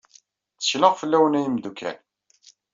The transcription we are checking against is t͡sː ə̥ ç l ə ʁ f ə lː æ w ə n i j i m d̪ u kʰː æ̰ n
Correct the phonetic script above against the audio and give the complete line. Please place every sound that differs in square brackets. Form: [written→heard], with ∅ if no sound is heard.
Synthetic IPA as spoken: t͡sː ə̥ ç l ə ʁ f ə lː æ w ə n [i→æ] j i m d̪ u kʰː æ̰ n